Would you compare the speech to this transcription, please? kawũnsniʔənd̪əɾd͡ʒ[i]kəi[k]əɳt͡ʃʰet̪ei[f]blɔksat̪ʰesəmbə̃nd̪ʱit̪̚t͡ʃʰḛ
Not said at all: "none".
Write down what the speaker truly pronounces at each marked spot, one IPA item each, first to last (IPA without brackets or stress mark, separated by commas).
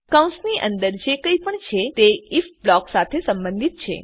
e, p, f